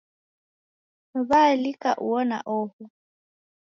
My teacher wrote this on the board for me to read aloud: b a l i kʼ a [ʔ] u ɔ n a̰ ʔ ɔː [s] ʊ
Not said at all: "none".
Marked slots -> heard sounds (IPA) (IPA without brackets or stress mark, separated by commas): ʔ, h